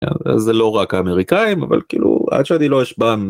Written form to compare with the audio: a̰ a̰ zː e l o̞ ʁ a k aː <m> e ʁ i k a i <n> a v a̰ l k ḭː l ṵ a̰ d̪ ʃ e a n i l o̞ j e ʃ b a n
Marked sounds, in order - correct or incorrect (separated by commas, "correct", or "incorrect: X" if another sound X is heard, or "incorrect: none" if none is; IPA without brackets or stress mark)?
correct, incorrect: m